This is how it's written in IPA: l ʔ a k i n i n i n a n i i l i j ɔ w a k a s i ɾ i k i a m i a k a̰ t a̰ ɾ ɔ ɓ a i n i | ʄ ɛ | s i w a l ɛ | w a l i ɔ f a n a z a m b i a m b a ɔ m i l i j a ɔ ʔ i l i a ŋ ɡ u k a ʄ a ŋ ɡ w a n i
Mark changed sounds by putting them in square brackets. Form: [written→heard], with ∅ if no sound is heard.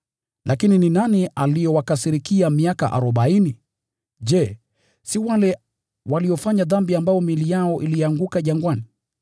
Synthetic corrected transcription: l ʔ a k i n i n i n a n i [i→a] l i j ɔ w a k a s i ɾ i k i a m i a k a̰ [t→ʔ] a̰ ɾ ɔ ɓ a i n i | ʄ ɛ | s i w a l ɛ | w a l i ɔ f a [n→ɲ] a [z→ð] a m b i a m b a ɔ m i l i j a ɔ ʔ i l i a ŋ ɡ u k a ʄ a ŋ ɡ w a n i

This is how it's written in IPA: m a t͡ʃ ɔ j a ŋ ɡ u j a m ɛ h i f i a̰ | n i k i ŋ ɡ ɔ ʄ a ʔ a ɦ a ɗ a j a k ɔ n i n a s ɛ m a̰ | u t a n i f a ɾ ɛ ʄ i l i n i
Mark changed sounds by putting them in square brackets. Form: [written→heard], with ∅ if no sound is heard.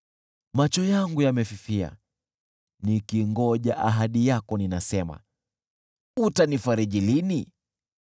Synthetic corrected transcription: m a t͡ʃ ɔ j a ŋ ɡ u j a m ɛ [h→f] i f i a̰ | n i k i ŋ ɡ ɔ ʄ a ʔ a ɦ a ɗ [a→i] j a k ɔ n i n a s ɛ m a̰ | u t a n i f a ɾ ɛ ʄ i l i n i

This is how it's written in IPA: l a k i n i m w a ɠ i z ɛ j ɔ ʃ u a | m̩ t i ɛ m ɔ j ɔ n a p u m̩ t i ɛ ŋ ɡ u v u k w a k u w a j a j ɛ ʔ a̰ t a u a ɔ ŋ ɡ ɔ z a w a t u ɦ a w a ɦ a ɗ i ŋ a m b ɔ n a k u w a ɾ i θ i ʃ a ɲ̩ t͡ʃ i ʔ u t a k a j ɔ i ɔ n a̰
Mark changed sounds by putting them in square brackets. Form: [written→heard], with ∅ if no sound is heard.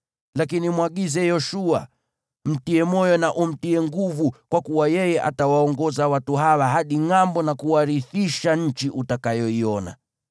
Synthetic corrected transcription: l a k i n i m w a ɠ i z ɛ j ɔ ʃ u a | m̩ t i ɛ m ɔ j ɔ n a [p→ʔ] u m̩ t i ɛ ŋ ɡ u v u k w a k u w a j [a→ɛ] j ɛ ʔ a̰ t a [u→w] a ɔ ŋ ɡ ɔ z a w a t u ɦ a w a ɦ a ɗ i ŋ a m b ɔ n a k u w a ɾ i θ i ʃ a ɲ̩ t͡ʃ i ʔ u t a k a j ɔ i ɔ n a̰

